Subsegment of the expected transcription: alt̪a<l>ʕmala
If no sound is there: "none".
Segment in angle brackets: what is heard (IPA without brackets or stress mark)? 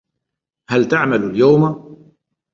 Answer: none